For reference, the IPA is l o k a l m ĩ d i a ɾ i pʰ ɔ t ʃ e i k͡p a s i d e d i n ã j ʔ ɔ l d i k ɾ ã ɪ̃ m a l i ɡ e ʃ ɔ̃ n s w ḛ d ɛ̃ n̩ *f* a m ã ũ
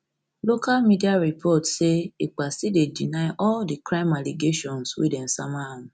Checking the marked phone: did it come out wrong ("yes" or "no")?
yes